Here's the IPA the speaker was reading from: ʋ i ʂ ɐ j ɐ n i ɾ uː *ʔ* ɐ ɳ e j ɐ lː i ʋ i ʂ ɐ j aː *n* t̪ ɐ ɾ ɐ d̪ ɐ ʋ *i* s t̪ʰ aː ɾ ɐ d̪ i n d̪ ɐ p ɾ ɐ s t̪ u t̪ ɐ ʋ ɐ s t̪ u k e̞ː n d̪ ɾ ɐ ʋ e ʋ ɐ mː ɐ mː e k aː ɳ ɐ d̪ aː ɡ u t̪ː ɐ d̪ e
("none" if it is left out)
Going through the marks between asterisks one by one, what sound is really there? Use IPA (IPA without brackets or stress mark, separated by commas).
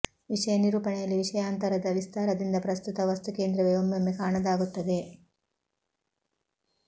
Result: p, n, i